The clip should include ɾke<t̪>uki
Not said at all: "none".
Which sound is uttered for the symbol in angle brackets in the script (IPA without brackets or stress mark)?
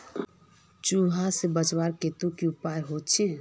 t̪